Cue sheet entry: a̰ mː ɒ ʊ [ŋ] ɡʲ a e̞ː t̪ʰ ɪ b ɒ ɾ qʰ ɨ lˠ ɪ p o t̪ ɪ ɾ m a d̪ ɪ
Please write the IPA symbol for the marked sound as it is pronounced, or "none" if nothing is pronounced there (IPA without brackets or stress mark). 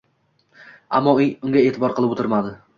ŋ